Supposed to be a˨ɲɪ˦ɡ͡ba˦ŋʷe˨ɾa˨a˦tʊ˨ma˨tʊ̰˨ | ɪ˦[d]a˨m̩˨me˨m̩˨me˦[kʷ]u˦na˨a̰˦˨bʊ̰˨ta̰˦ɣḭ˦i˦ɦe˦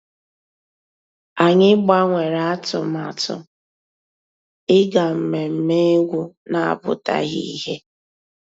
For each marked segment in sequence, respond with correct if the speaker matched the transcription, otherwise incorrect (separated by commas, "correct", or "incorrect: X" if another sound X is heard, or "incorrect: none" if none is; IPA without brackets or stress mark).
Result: incorrect: ɡ, incorrect: ɡʷ